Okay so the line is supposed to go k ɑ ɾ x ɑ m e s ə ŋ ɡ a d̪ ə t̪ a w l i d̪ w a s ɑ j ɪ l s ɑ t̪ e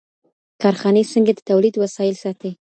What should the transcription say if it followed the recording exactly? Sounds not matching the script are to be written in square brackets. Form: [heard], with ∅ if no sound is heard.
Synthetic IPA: k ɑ ɾ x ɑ [n] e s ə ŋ ɡ a d̪ ə t̪ a w l i d̪ w a s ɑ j ɪ l s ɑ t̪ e